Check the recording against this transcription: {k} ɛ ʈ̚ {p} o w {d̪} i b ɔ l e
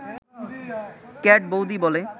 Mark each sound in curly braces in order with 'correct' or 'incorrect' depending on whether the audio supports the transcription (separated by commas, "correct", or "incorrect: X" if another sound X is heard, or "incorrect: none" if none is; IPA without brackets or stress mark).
correct, incorrect: b, correct